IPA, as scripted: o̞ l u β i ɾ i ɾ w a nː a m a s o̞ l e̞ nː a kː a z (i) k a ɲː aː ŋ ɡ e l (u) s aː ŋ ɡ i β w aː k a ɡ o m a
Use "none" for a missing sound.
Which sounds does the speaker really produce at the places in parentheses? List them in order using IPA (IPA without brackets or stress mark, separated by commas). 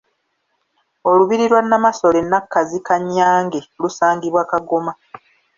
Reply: i, u